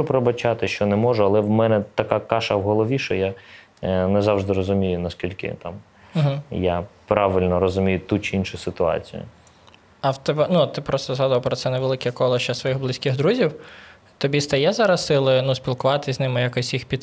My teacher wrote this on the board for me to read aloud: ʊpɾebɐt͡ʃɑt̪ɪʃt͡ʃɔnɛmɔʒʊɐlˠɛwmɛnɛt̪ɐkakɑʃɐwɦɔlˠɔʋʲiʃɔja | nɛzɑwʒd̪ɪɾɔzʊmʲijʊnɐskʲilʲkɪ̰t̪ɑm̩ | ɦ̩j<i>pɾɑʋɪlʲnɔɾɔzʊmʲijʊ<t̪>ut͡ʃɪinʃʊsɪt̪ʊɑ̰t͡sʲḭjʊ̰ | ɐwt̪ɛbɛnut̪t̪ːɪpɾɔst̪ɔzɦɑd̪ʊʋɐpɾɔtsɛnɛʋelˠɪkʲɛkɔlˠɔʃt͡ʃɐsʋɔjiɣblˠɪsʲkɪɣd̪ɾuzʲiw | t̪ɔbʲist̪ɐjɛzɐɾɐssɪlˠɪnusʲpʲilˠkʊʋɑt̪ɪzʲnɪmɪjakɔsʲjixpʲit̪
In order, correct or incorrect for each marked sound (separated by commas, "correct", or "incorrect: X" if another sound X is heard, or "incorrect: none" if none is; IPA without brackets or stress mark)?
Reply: incorrect: a, correct